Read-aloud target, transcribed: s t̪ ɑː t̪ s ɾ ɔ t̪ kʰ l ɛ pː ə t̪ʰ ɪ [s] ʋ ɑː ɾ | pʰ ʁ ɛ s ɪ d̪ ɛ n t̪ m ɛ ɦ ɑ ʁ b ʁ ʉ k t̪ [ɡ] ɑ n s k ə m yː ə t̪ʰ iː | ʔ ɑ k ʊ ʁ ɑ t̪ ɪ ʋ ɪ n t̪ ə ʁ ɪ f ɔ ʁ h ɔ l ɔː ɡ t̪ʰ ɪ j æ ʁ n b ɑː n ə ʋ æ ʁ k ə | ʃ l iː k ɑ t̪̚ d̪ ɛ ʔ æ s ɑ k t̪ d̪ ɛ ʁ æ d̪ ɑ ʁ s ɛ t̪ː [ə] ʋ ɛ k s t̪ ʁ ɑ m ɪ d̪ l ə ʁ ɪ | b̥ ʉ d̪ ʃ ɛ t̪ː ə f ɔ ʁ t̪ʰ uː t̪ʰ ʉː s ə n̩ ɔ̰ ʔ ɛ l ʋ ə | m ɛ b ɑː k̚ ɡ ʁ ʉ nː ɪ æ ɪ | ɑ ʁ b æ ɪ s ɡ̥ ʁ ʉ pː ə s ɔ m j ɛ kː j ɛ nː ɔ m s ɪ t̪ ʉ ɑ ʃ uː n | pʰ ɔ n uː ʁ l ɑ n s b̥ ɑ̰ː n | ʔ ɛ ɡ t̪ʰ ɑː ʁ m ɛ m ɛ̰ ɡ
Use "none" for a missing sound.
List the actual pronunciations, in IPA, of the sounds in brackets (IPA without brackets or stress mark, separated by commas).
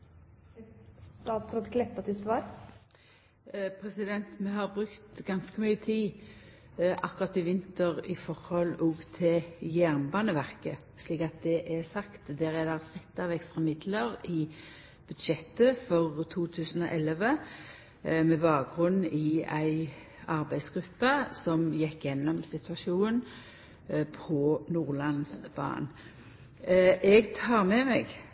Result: s, ɡ, ɑ